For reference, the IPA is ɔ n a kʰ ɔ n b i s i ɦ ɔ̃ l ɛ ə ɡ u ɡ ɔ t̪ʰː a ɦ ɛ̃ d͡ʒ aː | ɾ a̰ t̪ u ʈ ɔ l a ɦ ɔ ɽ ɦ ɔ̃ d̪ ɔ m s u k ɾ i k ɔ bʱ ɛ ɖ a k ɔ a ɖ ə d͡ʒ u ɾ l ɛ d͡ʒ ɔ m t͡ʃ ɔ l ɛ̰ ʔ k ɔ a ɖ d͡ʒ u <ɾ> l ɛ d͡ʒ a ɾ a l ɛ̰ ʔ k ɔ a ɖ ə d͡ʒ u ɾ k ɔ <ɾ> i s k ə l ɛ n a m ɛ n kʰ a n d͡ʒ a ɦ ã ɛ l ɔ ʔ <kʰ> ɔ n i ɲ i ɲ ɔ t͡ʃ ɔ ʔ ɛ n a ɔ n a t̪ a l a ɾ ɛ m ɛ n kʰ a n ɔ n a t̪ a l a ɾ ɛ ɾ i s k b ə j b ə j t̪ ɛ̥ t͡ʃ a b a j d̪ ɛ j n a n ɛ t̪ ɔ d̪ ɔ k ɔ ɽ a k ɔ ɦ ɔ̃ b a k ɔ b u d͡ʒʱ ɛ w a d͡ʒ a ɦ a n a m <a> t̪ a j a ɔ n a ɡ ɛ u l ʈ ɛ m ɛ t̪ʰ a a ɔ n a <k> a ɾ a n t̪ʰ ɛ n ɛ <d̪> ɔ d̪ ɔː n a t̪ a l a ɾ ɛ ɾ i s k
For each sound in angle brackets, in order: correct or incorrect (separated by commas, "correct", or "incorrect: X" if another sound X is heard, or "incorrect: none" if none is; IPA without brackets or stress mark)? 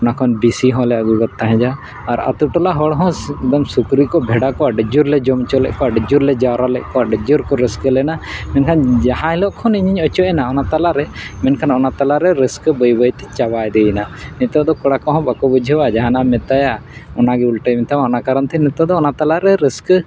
correct, correct, correct, incorrect: ɛ, correct, incorrect: t̪